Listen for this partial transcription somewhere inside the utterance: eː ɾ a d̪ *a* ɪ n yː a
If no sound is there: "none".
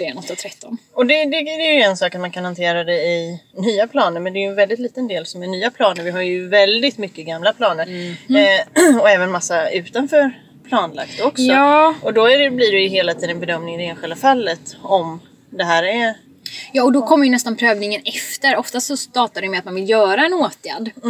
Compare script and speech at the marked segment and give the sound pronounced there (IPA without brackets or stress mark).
ɛ